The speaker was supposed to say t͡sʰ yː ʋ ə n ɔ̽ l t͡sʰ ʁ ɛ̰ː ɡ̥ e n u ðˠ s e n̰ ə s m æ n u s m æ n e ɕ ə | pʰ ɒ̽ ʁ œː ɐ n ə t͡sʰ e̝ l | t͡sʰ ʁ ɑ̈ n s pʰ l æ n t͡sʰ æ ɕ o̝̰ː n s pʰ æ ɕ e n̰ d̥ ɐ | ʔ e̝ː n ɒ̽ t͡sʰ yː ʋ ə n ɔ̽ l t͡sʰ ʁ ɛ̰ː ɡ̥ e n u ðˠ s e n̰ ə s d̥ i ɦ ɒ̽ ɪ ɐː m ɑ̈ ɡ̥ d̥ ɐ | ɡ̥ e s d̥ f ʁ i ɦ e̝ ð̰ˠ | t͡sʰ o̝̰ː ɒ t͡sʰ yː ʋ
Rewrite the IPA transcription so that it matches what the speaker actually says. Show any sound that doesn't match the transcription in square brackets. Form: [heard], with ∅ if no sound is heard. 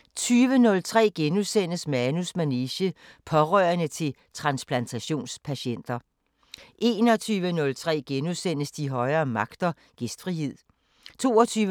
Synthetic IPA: t͡sʰ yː ʋ ə n ɔ̽ l t͡sʰ ʁ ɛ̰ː ɡ̥ e n u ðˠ s e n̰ ə s m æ n u s m æ n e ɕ ə | pʰ ɒ̽ ʁ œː ɐ n ə t͡sʰ e̝ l | t͡sʰ ʁ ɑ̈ n s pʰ l æ n t͡sʰ æ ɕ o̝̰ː n s pʰ æ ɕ e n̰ d̥ ɐ | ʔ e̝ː n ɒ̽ t͡sʰ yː ʋ ə n ɔ̽ l t͡sʰ ʁ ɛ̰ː ɡ̥ e n u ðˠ s e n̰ ə s d̥ i ɦ ɒ̽ ɪ ɐː m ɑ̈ ɡ̥ d̥ ɐ | ɡ̥ e s d̥ f ʁ i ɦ e̝ ð̰ˠ | t͡sʰ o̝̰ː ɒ t͡sʰ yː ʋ